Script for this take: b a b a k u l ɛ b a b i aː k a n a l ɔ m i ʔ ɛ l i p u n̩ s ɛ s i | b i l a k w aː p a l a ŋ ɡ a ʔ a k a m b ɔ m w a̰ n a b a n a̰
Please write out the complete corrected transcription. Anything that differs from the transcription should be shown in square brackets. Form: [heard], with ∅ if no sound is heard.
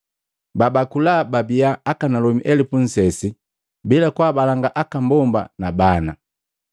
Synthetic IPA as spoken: b a b a k u l [a] b a b i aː k a n a l ɔ m i ʔ ɛ l i p u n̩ s ɛ s i | b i l a k w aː [b] a l a ŋ ɡ a ʔ a k a m b ɔ m [b] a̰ n a b a n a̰